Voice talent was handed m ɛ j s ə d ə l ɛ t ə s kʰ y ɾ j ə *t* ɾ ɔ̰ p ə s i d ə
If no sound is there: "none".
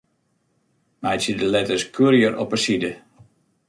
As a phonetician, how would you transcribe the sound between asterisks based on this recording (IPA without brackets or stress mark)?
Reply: none